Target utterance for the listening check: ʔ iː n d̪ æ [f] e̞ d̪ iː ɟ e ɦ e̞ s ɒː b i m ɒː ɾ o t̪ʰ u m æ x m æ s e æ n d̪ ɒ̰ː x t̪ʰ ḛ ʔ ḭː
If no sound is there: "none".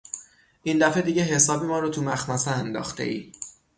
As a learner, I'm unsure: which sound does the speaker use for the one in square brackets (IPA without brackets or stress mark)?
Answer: f